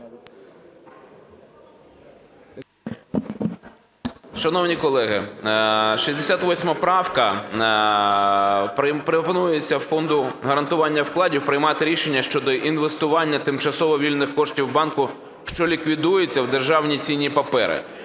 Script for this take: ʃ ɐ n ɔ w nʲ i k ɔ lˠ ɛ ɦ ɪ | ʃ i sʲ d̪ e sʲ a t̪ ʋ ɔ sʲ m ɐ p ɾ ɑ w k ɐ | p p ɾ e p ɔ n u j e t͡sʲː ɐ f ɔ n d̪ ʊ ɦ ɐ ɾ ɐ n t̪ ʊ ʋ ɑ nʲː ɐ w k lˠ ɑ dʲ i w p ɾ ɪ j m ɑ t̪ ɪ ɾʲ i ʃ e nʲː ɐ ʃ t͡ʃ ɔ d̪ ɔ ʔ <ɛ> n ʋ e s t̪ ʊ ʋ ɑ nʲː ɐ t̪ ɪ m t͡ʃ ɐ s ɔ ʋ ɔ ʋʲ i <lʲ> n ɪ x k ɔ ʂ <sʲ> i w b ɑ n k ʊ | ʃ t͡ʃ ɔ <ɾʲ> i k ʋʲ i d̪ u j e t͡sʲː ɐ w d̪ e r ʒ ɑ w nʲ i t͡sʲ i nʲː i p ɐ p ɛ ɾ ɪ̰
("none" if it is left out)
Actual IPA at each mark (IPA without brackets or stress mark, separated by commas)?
i, lʲ, tʲ, lʲ